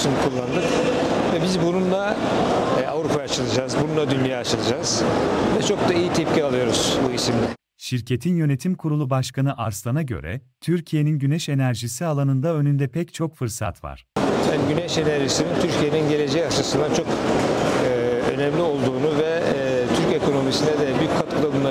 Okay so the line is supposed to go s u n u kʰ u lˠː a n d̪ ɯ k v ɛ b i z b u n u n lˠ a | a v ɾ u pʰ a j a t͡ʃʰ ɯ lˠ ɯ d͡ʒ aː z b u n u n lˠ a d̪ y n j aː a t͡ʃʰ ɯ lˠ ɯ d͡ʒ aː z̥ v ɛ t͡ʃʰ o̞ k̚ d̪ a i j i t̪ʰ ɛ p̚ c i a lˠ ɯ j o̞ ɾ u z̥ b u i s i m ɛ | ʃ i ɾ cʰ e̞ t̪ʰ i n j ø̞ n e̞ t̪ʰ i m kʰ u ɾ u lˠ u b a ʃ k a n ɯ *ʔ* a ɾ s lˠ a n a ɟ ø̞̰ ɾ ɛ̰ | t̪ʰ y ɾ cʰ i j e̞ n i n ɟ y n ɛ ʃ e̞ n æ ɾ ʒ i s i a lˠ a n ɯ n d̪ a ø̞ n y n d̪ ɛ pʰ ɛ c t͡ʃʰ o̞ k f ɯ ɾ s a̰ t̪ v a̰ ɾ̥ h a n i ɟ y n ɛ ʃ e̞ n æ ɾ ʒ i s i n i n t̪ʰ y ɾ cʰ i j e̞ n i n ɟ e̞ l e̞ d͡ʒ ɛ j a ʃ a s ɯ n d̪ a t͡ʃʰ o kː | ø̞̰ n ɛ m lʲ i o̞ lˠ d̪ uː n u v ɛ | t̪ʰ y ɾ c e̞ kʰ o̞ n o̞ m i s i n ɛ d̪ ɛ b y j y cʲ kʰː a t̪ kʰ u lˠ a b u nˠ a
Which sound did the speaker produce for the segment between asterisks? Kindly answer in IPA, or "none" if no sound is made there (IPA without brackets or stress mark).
ʔ